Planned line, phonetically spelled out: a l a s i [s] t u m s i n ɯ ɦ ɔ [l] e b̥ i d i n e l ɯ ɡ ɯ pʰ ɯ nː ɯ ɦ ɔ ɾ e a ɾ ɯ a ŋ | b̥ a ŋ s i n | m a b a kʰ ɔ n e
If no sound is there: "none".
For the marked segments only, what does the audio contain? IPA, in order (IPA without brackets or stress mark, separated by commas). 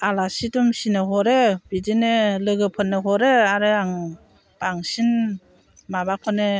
none, ɾ